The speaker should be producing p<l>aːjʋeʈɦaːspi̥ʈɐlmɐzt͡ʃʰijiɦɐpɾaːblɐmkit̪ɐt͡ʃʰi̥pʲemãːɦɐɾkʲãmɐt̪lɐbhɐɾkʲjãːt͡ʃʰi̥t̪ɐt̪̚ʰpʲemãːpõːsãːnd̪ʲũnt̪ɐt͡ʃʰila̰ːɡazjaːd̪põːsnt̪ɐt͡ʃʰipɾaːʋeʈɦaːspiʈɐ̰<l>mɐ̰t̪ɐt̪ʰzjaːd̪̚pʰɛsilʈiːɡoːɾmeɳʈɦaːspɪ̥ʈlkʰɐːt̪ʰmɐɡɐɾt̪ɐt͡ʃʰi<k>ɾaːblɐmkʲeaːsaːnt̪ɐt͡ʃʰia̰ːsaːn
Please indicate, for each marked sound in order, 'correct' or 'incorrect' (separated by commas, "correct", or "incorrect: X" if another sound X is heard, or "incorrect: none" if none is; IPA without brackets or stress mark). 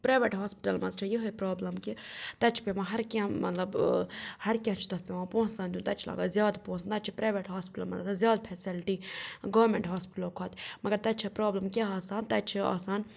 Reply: incorrect: ɾ, correct, incorrect: p